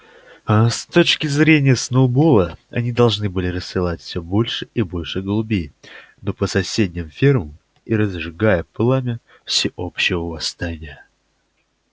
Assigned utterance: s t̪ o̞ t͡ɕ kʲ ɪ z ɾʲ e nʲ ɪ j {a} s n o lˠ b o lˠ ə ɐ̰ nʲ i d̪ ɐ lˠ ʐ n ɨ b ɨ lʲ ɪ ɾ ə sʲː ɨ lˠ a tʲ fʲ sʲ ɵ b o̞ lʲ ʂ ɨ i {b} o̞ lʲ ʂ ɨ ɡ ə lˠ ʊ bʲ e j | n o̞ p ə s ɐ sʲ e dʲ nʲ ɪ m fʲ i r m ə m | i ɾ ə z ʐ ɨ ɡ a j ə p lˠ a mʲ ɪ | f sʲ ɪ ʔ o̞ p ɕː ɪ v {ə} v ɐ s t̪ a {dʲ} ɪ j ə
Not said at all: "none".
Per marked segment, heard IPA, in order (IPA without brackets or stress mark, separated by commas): ə, b, ə, nʲ